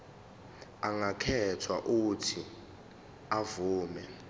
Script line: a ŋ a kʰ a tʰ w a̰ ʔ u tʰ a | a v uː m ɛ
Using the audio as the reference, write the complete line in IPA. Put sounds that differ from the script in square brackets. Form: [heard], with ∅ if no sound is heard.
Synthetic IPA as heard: a ŋ a kʰ [ɛ] tʰ w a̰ ʔ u tʰ [i] | a v uː m ɛ